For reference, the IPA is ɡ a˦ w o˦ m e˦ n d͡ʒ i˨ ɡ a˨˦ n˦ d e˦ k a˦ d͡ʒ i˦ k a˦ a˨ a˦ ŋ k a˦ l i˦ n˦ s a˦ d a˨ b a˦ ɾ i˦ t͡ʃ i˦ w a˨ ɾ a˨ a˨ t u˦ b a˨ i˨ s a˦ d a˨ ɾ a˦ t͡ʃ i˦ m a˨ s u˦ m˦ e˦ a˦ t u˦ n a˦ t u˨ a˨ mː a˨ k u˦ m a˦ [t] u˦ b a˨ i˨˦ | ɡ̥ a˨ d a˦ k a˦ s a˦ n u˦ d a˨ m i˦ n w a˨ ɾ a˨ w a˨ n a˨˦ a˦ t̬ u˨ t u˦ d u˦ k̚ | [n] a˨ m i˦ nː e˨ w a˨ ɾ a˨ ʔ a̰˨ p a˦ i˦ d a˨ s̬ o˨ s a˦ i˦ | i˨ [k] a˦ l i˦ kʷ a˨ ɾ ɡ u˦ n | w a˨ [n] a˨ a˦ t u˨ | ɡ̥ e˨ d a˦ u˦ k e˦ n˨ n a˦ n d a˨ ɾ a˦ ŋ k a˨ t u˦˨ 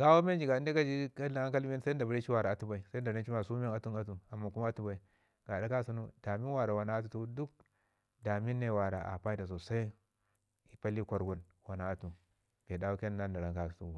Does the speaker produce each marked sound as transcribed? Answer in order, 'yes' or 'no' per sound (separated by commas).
yes, no, no, yes